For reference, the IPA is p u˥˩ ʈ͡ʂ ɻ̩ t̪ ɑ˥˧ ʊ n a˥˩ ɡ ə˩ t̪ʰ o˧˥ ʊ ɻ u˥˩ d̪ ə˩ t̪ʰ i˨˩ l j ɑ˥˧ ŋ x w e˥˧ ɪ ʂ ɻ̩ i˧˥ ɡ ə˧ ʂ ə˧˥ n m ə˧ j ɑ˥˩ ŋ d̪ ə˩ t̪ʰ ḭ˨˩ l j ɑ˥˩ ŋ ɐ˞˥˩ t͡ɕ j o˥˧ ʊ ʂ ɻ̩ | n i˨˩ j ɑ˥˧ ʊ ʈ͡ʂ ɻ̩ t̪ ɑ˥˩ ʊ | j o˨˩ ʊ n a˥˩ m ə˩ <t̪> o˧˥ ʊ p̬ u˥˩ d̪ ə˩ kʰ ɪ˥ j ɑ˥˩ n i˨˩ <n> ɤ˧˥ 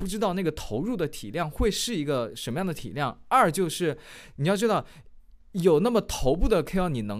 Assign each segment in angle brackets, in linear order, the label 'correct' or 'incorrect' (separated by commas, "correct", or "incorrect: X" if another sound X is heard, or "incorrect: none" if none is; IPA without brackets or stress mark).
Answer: incorrect: t̪ʰ, correct